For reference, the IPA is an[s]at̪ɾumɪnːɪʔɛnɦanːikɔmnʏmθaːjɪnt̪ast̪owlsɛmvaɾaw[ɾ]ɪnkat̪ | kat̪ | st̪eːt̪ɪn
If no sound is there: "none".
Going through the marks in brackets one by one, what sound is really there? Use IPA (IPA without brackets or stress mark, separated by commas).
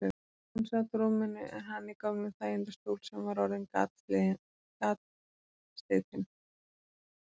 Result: s, ɾ